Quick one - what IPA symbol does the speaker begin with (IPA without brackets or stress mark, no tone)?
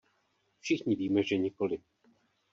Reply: f